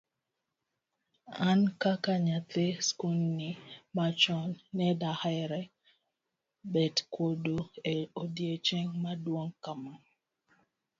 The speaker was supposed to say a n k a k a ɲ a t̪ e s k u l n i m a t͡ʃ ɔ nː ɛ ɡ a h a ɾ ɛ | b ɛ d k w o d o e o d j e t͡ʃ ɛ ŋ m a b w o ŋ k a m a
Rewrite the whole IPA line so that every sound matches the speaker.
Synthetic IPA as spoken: a n k a k a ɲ a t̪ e s k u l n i m a t͡ʃ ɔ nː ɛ d a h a ɾ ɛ | b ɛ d k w o d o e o d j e t͡ʃ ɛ ŋ m a d w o ŋ k a m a